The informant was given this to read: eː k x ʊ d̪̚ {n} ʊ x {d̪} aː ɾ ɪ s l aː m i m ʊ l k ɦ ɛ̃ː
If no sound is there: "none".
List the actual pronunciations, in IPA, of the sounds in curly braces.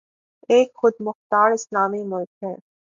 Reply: m, t̪

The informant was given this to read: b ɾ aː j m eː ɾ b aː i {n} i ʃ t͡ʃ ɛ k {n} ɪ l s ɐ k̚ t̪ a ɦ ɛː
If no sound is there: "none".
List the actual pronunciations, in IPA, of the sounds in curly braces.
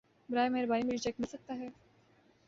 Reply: m, m

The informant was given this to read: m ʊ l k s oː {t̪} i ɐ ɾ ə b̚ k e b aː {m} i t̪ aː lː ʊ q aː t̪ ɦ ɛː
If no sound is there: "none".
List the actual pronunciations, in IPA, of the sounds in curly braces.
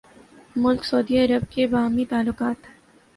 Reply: d̪, m

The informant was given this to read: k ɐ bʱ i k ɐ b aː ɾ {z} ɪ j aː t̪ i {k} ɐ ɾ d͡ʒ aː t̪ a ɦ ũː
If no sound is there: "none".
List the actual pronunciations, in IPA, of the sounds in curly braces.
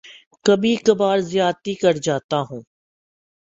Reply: z, k

